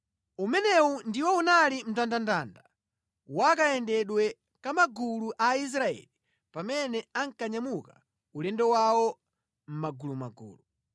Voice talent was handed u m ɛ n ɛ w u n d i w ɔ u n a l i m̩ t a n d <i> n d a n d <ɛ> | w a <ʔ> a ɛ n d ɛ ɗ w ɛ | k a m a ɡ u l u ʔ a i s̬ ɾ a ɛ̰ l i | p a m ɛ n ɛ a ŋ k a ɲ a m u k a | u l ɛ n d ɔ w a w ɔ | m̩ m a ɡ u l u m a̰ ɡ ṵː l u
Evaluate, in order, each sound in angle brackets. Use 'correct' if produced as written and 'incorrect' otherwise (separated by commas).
incorrect, incorrect, incorrect